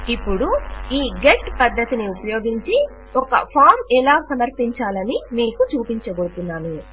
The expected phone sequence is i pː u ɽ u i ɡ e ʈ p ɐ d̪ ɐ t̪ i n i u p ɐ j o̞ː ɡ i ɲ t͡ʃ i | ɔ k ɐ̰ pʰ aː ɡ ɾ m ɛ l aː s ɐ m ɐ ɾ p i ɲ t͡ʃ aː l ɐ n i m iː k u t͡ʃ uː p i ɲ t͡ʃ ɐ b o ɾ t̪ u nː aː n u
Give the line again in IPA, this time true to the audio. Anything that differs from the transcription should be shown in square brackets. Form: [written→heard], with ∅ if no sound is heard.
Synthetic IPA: i pː u ɽ u [i→iː] ɡ e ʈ p ɐ [d̪→d̪ː] ɐ t̪ i n i u p ɐ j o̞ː ɡ i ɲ t͡ʃ i | ɔ k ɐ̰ pʰ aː [ɡ→∅] ɾ m ɛ l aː s ɐ m ɐ ɾ p i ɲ t͡ʃ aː l ɐ n i m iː k u t͡ʃ uː p i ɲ t͡ʃ ɐ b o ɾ t̪ u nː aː n u